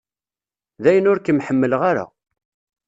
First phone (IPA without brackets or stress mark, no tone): ð